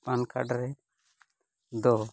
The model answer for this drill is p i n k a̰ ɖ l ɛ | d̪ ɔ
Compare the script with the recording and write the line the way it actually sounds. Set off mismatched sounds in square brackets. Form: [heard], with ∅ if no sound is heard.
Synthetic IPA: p [a] n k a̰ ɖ [ɾ] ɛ | d̪ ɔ

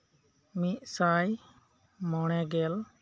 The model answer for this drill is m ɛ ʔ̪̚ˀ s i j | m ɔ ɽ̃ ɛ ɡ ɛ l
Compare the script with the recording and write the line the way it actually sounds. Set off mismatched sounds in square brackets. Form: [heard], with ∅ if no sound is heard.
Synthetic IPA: m [i] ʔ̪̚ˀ s [a] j | m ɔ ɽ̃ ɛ ɡ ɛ l

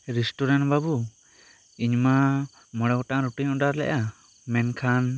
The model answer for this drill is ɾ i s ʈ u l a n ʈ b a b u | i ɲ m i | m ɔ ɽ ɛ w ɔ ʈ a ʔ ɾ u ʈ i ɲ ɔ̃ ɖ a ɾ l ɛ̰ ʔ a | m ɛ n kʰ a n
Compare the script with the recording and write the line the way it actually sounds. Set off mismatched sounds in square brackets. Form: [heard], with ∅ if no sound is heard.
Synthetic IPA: ɾ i s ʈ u [ɾ] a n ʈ b a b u | i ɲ m [a] | m ɔ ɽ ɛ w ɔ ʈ a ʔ ɾ u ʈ i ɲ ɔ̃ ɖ a ɾ l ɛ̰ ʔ a | m ɛ n kʰ a n

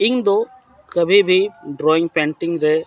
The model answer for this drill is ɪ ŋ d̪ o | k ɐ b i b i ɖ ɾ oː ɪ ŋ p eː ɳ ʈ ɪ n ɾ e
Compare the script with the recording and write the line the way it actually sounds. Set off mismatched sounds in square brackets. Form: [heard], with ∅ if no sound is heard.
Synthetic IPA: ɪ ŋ d̪ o | k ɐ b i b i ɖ ɾ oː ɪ ŋ p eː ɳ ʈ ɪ [ŋ] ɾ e

